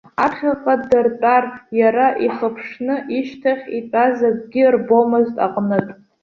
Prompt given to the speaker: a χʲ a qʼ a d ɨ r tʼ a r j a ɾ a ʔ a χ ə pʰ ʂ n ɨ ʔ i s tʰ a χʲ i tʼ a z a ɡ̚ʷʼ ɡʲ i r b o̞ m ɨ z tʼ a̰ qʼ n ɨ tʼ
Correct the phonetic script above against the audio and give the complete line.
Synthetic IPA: a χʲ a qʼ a d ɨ r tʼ a r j a ɾ a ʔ i χ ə pʰ ʂ n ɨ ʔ i ʃ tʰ a χʲ i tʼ a z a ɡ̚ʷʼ ɡʲ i r b o̞ m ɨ z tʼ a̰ qʼ n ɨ tʼ